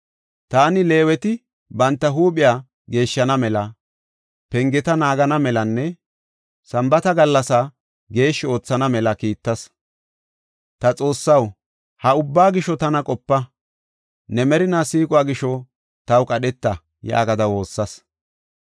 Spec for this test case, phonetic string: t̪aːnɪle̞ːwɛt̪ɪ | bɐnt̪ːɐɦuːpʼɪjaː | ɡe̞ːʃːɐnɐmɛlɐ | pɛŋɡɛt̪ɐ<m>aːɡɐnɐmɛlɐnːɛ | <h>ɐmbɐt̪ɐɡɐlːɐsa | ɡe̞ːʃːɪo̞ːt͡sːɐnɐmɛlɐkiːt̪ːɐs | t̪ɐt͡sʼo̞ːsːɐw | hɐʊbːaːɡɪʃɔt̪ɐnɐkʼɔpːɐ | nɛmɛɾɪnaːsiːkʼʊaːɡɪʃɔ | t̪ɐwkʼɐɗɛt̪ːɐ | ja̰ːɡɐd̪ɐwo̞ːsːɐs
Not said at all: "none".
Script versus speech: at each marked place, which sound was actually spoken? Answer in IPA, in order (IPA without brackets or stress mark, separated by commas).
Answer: n, s